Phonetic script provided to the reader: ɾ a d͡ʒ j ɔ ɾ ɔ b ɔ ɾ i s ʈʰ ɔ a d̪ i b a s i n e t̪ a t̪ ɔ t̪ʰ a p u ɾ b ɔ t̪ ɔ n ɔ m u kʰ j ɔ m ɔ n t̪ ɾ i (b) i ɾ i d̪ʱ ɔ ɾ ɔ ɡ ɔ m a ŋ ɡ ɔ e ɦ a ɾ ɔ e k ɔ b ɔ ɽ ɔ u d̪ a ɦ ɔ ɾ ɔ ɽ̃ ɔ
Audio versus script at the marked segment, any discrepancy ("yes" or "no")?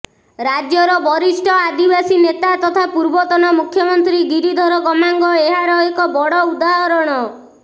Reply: yes